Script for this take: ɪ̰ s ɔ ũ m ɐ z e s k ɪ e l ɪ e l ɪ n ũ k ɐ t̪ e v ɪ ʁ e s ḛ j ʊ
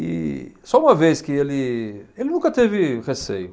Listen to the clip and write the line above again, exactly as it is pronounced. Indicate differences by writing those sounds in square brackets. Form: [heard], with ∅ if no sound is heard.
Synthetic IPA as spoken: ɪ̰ s ɔ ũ m ɐ [v] e s k ɪ e l ɪ e l ɪ n ũ k ɐ t̪ e v ɪ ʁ e s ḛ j ʊ